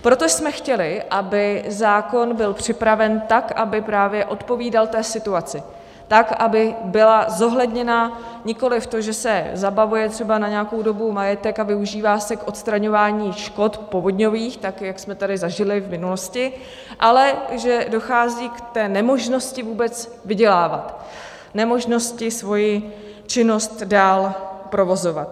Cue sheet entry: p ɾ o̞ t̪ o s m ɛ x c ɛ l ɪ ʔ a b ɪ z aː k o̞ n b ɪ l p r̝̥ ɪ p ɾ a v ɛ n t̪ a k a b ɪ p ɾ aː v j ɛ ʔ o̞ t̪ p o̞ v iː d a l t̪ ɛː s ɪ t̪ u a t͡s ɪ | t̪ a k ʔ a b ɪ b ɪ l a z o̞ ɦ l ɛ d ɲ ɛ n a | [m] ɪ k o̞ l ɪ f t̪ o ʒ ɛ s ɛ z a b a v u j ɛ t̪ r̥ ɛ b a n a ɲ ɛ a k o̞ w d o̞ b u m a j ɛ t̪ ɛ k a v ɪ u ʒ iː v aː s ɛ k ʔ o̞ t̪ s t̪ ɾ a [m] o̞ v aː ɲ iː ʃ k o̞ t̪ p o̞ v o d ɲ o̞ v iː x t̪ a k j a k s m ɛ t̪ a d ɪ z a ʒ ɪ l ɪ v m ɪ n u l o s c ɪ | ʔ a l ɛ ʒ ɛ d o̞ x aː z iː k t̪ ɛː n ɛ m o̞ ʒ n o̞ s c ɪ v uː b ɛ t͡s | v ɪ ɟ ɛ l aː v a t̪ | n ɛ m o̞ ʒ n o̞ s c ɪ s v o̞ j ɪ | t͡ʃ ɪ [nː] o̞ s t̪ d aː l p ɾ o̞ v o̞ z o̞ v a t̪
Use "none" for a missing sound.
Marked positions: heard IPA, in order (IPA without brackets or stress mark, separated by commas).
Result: ɲ, ɲ, n